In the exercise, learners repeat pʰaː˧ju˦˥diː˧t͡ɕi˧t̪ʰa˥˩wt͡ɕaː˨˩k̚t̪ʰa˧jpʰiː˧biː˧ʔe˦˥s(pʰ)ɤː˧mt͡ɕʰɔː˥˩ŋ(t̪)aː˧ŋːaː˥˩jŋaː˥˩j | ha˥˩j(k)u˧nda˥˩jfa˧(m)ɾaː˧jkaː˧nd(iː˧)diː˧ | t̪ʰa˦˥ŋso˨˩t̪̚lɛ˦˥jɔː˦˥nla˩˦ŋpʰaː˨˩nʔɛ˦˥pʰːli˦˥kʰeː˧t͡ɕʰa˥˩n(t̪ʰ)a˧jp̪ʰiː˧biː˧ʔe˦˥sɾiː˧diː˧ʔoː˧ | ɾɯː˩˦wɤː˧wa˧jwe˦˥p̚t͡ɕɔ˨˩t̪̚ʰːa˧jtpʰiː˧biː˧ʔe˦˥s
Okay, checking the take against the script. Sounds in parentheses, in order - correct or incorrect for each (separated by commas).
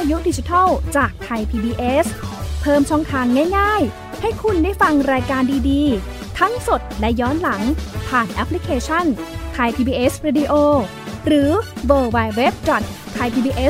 correct, incorrect, incorrect, incorrect, correct, correct